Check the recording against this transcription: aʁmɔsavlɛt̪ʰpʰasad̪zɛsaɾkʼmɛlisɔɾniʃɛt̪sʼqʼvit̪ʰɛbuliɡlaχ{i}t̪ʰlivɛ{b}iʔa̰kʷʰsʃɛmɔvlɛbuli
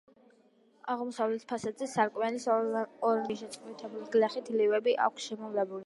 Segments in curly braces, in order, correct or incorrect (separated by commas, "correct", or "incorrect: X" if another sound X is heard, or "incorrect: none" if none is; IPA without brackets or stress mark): correct, correct